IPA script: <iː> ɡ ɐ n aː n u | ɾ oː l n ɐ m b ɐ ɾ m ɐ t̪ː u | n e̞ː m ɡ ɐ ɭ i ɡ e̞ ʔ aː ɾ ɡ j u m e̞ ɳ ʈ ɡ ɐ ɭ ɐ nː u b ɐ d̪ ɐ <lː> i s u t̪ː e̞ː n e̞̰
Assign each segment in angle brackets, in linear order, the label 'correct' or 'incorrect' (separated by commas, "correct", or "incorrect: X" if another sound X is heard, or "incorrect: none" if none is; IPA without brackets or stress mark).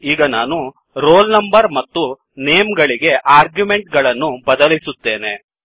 correct, incorrect: l